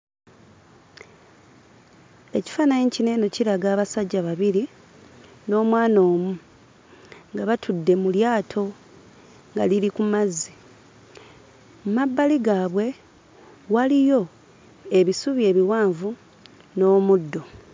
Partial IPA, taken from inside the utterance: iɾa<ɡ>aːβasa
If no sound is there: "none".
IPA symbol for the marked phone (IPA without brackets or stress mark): ɡ